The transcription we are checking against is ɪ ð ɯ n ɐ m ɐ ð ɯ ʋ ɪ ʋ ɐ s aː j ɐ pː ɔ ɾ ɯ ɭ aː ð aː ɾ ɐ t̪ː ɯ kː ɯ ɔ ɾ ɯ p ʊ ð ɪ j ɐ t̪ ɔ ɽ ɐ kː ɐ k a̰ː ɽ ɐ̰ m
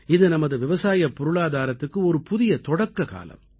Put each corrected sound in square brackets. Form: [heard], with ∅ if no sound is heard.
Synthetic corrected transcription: ɪ ð ɯ n ɐ m ɐ ð ɯ ʋ ɪ ʋ ɐ s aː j ɐ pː ɔ ɾ ɯ ɭ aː ð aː ɾ ɐ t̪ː ɯ kː ɯ ɔ ɾ ɯ p ʊ ð ɪ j ɐ t̪ ɔ ɽ ɐ kː ɐ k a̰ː [l] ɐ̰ m

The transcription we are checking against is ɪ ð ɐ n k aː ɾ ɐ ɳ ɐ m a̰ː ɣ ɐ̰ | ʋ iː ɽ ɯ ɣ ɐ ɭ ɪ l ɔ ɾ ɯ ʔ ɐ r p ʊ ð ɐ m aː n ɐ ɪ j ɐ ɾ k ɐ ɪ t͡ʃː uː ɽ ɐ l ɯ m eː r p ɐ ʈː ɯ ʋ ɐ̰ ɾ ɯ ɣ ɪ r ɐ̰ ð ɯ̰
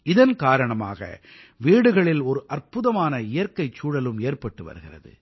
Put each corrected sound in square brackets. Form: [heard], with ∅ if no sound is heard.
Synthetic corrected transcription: ɪ ð ɐ n k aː ɾ ɐ ɳ ɐ m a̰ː ɣ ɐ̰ | ʋ iː ɽ ɯ ɣ ɐ ɭ ɪ l ɔ ɾ ɯ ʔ ɐ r p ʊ ð ɐ m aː n ɐ ɪ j ɐ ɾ k ɐ ɪ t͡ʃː uː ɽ ɐ l ɯ m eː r p ɐ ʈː ɯ ʋ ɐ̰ ɾ ɯ ɣ ɪ r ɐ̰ ð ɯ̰

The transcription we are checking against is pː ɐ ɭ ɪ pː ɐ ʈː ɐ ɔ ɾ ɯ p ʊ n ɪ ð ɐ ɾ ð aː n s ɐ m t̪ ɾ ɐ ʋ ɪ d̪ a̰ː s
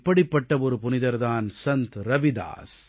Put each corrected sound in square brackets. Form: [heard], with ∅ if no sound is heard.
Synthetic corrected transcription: pː ɐ [ɽ] ɪ pː ɐ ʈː ɐ ɔ ɾ ɯ p ʊ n ɪ ð ɐ ɾ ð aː n s ɐ [n] t̪ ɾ ɐ ʋ ɪ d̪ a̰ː s

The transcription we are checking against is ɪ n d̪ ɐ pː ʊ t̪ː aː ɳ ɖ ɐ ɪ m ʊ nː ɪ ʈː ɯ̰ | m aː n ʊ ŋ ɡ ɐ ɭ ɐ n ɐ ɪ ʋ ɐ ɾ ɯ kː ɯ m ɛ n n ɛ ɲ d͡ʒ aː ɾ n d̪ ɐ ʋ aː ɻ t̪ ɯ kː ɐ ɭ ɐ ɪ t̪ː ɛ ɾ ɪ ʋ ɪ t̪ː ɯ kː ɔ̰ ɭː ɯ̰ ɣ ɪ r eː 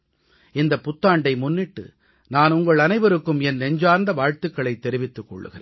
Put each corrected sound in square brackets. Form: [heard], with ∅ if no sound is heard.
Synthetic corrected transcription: ɪ n d̪ ɐ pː ʊ t̪ː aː ɳ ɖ ɐ ɪ m ʊ nː ɪ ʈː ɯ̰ | [n] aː n ʊ ŋ ɡ ɐ ɭ ɐ n ɐ ɪ ʋ ɐ ɾ ɯ kː ɯ m ɛ n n ɛ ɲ d͡ʒ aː ɾ n d̪ ɐ ʋ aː ɻ t̪ ɯ kː ɐ ɭ ɐ ɪ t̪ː ɛ ɾ ɪ ʋ ɪ t̪ː ɯ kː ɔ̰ ɭː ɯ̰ ɣ ɪ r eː

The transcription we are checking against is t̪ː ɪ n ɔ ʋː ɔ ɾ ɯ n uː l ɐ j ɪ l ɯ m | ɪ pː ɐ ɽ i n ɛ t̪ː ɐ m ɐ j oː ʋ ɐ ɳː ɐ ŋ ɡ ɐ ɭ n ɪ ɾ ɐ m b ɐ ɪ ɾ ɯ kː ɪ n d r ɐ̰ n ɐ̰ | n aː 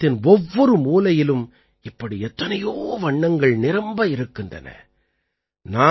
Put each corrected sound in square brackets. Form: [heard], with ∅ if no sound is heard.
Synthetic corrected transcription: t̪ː ɪ n ɔ ʋː ɔ ɾ ɯ [m] uː l ɐ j ɪ l ɯ m | ɪ pː ɐ ɽ i [∅] ɛ t̪ː ɐ [n] ɐ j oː ʋ ɐ ɳː ɐ ŋ ɡ ɐ ɭ n ɪ ɾ ɐ m b ɐ ɪ ɾ ɯ kː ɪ n d r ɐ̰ n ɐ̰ | n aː

